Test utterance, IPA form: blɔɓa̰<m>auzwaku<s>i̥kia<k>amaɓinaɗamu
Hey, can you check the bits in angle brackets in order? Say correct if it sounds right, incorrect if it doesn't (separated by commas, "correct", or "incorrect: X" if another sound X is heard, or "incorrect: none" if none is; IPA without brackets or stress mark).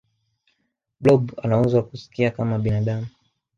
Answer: incorrect: n, correct, correct